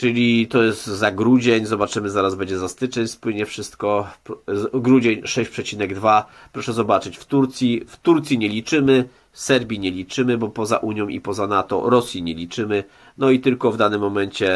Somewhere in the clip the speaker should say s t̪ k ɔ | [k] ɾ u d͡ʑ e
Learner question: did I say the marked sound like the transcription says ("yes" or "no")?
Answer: no